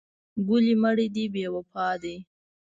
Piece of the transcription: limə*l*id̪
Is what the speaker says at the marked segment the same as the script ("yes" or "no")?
no